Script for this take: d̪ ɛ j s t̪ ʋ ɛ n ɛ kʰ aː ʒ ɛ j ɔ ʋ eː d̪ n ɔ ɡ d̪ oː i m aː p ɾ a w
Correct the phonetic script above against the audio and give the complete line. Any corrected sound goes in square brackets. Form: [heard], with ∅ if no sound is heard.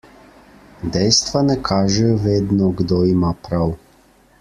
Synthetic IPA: d̪ ɛ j s t̪ ʋ [a] n ɛ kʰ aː ʒ ɛ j ɔ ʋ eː d̪ n ɔ ɡ d̪ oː i m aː p ɾ a w